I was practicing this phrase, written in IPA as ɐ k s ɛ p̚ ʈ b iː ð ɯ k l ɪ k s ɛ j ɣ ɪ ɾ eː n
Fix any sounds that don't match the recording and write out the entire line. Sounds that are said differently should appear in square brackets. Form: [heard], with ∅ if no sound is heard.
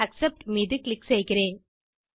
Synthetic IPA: ɐ k s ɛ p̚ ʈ [m] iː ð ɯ k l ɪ k s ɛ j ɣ ɪ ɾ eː n